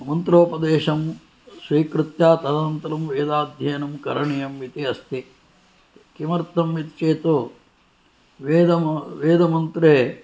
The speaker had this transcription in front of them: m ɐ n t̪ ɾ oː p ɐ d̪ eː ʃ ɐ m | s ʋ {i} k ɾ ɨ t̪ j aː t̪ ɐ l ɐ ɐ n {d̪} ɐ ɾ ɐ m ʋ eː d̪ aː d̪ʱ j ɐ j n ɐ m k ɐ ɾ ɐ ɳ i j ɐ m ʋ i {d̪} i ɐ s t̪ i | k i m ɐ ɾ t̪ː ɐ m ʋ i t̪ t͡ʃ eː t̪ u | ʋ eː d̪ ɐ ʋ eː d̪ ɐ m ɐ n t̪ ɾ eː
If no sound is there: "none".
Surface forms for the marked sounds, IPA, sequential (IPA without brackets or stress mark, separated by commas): iː, t̪, t̪